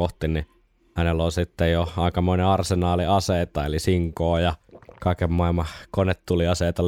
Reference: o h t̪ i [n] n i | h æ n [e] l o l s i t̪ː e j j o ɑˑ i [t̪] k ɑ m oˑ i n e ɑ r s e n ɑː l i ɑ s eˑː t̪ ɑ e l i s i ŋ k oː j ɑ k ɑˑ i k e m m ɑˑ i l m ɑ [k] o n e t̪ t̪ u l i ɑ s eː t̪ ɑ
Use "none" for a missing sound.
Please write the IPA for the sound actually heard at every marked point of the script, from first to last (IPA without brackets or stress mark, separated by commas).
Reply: n, e, none, k